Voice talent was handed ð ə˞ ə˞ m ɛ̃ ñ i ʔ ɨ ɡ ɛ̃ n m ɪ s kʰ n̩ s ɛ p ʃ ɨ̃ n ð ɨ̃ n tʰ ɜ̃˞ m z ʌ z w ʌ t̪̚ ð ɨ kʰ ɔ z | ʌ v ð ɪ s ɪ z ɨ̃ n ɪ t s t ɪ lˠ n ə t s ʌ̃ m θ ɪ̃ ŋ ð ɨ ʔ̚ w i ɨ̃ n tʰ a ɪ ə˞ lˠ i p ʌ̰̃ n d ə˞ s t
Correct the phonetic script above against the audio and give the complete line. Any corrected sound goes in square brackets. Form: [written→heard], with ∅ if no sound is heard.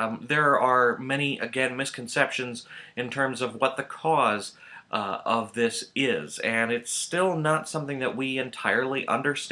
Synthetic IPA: ð ə˞ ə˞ m [ɛ̃→ɛ] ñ i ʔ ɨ ɡ ɛ̃ n m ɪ s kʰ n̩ s ɛ p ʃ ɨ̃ n [ð→z] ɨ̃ n tʰ ɜ̃˞ m z ʌ [z→v] w ʌ t̪̚ ð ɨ kʰ ɔ z | ʌ v ð ɪ s ɪ z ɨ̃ n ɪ t s t ɪ lˠ n ə t s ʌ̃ m θ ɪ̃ ŋ ð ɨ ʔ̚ w i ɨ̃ n tʰ a ɪ ə˞ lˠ i [p→ʔ] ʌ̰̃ n d ə˞ s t